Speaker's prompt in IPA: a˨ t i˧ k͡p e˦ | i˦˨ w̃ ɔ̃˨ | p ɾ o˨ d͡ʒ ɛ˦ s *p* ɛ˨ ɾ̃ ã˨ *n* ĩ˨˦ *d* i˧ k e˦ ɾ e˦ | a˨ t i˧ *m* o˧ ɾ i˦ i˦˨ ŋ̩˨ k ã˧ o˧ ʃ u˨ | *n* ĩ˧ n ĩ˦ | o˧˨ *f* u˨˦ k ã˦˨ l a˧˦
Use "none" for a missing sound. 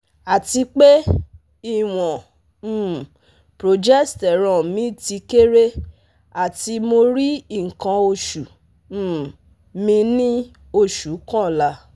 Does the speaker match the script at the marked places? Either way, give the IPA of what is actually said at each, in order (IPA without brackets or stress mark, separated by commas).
t, m, t, m, m, ʃ